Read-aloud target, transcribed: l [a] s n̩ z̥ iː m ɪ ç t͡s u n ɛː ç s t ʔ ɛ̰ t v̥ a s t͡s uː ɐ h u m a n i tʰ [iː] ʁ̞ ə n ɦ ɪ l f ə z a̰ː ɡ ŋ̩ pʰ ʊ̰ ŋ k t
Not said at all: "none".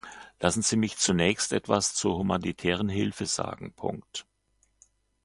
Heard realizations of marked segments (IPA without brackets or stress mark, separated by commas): a, ɛː